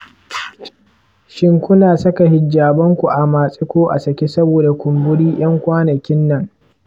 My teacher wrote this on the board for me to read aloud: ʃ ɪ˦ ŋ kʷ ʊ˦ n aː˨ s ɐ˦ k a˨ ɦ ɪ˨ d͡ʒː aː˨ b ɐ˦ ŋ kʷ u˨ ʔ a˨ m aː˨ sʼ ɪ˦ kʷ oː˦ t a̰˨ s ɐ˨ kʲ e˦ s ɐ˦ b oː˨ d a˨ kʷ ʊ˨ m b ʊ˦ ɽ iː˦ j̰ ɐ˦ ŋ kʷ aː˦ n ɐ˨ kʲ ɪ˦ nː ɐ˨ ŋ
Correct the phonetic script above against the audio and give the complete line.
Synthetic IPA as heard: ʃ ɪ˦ ŋ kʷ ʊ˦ n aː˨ s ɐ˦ k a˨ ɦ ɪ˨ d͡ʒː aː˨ b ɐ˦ ŋ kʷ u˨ ʔ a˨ m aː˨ sʼ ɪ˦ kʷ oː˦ ʔ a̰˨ s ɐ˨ kʲ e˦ s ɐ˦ b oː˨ d a˨ kʷ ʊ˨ m b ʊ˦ ɽ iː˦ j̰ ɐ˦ ŋ kʷ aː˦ n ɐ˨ kʲ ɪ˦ nː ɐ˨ ŋ